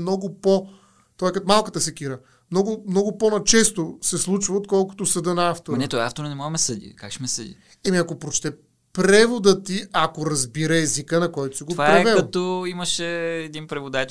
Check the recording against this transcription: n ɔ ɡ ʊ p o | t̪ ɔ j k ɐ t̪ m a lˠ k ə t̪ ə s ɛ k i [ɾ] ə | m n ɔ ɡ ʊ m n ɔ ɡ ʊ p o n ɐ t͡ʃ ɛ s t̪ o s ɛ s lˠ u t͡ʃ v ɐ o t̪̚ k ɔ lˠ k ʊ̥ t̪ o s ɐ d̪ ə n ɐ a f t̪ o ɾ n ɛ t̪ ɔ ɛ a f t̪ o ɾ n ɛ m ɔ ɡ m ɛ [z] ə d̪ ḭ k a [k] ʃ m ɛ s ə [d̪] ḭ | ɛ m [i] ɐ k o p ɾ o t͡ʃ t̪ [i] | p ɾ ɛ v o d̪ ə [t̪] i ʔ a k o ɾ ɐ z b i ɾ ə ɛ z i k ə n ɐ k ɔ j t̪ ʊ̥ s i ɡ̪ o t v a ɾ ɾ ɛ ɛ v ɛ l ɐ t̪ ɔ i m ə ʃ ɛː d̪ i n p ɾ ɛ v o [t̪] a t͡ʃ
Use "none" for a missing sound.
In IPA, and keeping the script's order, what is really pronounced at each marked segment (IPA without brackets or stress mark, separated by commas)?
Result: ɾ, s, k, d̪, i, ɛ, t̪, d̪